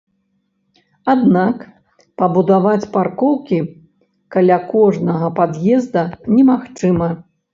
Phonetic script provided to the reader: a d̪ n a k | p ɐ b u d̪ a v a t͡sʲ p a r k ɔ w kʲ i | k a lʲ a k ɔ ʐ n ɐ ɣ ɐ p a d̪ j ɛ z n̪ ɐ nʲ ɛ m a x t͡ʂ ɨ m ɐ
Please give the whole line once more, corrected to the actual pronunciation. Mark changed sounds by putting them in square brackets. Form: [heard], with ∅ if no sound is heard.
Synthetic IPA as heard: a d̪ n a k | p ɐ b u d̪ a v a t͡sʲ p a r k ɔ w kʲ i | k a lʲ a k ɔ ʐ n ɐ ɣ ɐ p a d̪ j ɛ z [d̪] ɐ nʲ ɛ m a x t͡ʂ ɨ m ɐ